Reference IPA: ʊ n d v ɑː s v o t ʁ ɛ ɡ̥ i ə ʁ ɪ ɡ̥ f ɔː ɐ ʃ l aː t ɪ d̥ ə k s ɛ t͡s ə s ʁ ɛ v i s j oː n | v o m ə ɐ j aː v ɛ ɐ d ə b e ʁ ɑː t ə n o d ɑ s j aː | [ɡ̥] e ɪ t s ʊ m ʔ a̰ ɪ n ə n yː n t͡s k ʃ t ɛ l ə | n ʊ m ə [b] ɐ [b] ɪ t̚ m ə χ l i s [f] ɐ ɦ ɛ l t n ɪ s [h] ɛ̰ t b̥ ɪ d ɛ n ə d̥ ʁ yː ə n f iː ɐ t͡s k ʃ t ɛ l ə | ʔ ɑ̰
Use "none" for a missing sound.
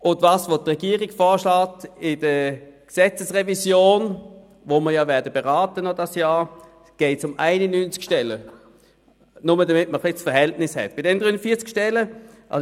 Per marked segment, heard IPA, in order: ɡ̥, d, m, f, h

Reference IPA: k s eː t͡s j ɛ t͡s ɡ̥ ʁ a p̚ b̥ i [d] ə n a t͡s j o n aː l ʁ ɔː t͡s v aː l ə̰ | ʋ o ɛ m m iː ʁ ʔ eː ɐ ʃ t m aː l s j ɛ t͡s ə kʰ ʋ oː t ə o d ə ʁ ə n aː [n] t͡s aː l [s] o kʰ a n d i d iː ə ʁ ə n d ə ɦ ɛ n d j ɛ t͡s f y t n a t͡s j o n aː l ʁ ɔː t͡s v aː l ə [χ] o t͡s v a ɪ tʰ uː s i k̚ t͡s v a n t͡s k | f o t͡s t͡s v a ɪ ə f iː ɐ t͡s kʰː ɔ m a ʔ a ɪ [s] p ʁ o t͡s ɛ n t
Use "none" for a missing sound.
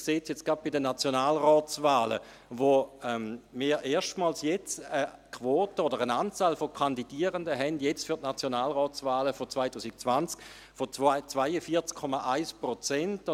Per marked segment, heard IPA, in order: d, n, f, f, s

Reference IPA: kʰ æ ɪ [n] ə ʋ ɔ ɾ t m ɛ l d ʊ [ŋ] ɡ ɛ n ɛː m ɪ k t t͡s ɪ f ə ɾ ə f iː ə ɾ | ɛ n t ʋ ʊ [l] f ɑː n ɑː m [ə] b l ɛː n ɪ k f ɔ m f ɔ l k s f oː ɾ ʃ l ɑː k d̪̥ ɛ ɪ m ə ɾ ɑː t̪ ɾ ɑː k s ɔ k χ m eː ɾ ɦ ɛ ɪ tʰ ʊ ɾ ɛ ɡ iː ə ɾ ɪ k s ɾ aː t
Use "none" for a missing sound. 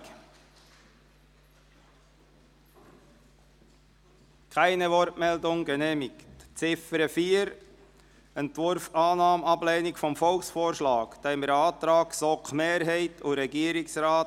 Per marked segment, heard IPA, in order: n, ŋ, ɾ, ɑ

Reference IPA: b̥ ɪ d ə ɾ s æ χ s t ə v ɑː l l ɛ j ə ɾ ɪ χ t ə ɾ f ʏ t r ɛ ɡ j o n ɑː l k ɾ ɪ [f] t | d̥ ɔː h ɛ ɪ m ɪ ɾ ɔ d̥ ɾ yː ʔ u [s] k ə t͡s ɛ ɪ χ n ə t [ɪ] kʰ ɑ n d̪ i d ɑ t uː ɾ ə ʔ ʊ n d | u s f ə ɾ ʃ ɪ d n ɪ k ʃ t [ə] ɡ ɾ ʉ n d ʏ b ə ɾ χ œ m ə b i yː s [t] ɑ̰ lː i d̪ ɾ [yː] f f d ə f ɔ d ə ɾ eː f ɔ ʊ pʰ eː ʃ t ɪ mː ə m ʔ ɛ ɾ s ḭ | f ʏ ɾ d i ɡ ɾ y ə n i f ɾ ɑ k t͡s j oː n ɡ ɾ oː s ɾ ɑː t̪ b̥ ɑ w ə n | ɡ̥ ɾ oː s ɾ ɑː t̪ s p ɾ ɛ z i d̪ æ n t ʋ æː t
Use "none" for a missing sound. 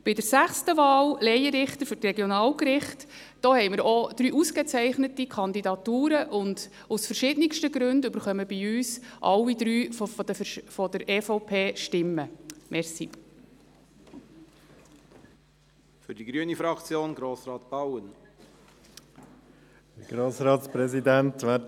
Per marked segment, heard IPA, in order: χ, s, i, ə, ʔ, yː

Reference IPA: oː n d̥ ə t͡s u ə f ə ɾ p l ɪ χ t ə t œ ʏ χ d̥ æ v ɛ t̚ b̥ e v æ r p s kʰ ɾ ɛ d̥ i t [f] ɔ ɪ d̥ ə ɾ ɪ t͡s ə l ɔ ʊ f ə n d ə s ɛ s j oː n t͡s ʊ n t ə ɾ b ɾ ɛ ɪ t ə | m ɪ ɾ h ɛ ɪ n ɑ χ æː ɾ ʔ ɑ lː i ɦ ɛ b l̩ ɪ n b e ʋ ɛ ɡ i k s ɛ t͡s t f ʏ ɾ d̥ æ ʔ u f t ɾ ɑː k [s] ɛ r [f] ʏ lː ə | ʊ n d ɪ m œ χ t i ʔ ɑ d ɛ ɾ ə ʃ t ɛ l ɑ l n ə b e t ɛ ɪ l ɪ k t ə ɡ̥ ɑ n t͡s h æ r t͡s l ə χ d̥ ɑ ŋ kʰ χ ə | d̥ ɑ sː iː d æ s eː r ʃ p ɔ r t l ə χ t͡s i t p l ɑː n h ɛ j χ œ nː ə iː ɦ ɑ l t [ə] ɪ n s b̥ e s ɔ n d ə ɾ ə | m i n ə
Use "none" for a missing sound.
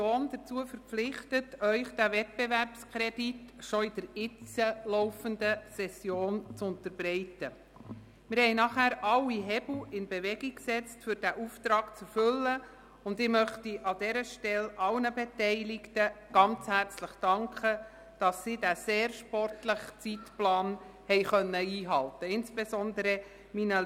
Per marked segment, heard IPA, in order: ʃ, t͡s, f, ə

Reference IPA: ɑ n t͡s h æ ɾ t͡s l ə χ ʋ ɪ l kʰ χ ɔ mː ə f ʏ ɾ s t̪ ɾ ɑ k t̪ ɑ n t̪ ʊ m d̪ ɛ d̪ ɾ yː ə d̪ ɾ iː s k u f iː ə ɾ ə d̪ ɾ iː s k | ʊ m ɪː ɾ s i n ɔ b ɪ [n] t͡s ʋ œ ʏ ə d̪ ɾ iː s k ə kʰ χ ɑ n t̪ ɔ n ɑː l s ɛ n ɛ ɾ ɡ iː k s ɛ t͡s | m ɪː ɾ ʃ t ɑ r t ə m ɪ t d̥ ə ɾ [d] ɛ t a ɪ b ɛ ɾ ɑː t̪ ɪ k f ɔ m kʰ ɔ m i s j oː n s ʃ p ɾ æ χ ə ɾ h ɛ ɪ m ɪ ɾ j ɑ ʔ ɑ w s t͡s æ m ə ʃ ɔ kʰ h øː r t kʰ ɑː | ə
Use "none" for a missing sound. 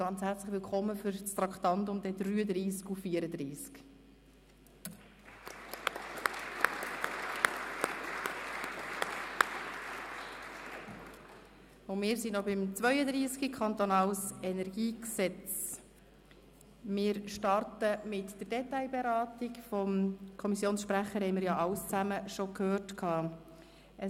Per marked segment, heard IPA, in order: m, d

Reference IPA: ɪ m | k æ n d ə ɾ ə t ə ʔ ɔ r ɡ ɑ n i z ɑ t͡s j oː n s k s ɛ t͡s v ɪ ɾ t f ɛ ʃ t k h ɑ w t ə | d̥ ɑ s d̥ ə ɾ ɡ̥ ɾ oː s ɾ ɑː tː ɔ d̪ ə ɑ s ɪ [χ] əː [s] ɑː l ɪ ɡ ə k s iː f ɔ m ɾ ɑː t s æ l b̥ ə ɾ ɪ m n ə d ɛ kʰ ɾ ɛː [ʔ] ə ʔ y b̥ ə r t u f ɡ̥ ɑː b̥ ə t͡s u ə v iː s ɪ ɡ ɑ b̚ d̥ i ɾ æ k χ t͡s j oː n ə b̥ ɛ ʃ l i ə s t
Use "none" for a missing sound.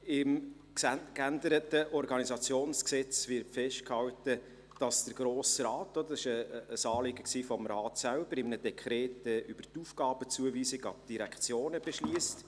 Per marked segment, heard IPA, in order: ʃ, s, t

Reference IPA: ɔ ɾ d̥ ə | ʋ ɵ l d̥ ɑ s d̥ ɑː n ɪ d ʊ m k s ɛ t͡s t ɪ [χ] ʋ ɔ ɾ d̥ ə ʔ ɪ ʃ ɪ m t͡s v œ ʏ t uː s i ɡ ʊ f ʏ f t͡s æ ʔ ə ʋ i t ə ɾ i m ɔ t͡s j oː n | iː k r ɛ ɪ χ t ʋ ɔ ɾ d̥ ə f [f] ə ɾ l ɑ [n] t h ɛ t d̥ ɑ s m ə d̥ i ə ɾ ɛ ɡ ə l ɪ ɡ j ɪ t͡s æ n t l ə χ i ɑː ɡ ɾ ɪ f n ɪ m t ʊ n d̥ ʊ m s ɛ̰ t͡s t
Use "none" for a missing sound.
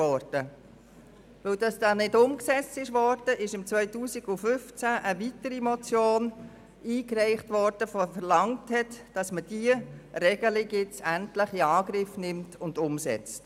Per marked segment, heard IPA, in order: ʃ, f, ŋ

